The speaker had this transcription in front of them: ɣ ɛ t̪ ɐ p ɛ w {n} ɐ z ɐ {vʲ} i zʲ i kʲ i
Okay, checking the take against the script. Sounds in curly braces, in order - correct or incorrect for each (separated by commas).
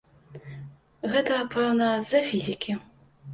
correct, incorrect